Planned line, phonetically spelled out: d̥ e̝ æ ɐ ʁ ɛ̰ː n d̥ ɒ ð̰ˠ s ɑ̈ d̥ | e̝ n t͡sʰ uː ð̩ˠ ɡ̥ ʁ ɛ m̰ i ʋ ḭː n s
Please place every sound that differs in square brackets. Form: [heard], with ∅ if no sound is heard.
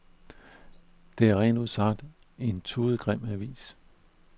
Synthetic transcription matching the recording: d̥ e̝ æ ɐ ʁ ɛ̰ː n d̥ [u] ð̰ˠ s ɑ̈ d̥ | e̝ n t͡sʰ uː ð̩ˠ ɡ̥ ʁ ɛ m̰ [æ] ʋ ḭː [∅] s

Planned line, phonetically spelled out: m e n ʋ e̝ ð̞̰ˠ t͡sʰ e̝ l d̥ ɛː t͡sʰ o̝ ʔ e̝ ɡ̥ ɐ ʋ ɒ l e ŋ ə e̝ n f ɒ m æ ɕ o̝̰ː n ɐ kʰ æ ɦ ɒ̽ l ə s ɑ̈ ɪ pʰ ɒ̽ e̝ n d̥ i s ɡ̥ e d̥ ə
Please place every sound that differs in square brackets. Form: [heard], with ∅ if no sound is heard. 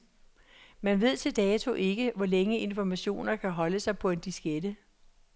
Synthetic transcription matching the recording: m [æ] n ʋ e̝ ð̞̰ˠ t͡sʰ e̝ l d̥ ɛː t͡sʰ o̝ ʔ e̝ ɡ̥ [ə] ʋ ɒ l e ŋ ə e̝ n f ɒ m æ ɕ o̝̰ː n ɐ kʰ æ ɦ ɒ̽ l ə s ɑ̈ ɪ pʰ ɒ̽ e̝ n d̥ i s ɡ̥ e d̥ ə

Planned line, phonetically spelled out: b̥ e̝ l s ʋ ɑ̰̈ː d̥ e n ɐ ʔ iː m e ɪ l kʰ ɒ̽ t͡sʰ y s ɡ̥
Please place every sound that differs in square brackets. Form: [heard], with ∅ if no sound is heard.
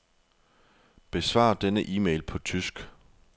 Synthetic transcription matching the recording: b̥ e̝ [∅] s ʋ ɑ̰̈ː d̥ e n [ə] ʔ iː m e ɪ l [pʰ] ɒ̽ t͡sʰ y s ɡ̥

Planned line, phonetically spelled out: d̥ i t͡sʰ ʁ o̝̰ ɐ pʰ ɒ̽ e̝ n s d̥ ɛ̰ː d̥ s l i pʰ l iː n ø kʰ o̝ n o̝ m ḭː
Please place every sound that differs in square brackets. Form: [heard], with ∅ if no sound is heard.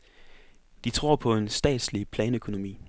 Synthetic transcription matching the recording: d̥ i t͡sʰ ʁ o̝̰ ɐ pʰ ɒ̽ e̝ n s d̥ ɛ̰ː d̥ s l i pʰ l [ɛː] n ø kʰ o̝ n o̝ m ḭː

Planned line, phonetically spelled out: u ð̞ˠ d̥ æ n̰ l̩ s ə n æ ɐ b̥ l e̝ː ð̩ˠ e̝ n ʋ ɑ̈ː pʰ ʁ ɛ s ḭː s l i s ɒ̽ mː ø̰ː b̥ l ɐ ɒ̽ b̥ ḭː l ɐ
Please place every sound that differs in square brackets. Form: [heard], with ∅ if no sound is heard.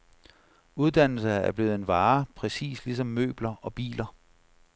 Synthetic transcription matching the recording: u ð̞ˠ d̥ æ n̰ l̩ s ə [∅] æ ɐ b̥ l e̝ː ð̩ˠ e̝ n ʋ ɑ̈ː pʰ ʁ ɛ s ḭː s l i s ɒ̽ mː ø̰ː b̥ l ɐ ɒ̽ b̥ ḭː l ɐ

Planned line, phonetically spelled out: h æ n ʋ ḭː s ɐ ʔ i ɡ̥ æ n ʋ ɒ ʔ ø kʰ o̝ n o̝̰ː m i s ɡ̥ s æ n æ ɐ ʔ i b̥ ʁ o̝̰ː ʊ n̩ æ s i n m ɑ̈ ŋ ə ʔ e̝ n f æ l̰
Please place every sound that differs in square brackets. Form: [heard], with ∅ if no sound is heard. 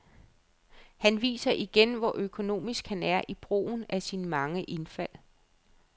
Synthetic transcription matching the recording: h æ n ʋ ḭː s ɐ ʔ i ɡ̥ [e] n ʋ ɒ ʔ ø kʰ o̝ n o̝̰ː m i s ɡ̥ [h] æ n æ ɐ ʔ i b̥ ʁ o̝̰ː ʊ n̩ æ s i n m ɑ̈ ŋ ə ʔ e̝ n f æ l̰

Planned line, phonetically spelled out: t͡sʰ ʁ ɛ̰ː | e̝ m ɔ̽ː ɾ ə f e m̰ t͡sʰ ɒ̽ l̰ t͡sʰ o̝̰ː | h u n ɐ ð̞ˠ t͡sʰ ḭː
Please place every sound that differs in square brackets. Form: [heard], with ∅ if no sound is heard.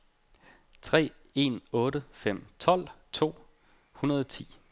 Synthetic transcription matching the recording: t͡sʰ ʁ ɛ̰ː | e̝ [n] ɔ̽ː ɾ ə f e m̰ t͡sʰ ɒ̽ l̰ t͡sʰ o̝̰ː | h u n ɐ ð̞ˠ t͡sʰ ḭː

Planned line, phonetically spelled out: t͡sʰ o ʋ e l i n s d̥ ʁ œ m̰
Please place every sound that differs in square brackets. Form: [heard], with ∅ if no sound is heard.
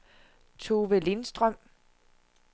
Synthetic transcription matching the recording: t͡sʰ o ʋ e l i n s d̥ ʁ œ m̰

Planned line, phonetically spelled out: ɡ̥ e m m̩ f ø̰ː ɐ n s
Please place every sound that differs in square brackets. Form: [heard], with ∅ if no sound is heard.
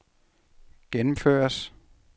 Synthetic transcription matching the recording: ɡ̥ e [n] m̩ f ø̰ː ɐ [∅] s

